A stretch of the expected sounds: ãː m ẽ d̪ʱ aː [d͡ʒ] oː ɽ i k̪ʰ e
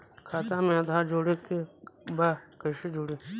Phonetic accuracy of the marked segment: correct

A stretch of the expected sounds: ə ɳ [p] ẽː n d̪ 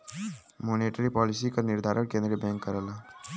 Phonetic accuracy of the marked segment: incorrect: k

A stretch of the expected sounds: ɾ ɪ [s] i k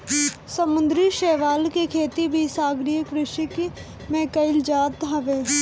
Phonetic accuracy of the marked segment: incorrect: ʃ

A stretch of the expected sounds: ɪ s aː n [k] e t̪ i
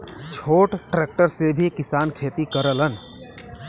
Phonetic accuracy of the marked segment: incorrect: kʰ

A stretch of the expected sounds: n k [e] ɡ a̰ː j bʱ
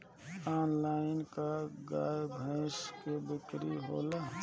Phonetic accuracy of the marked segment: incorrect: a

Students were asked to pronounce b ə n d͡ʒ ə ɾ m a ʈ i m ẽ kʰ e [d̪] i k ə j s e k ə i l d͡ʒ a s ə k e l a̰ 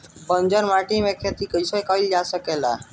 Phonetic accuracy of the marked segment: incorrect: t̪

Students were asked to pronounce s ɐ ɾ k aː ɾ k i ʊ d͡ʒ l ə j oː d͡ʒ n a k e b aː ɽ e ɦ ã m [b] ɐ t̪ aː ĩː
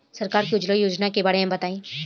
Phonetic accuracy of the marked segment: correct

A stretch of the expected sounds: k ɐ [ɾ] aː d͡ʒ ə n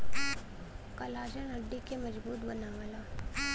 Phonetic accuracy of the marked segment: incorrect: l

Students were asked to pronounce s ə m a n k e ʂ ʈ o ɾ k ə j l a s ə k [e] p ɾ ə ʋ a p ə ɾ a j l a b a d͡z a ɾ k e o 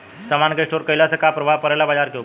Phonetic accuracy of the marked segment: incorrect: a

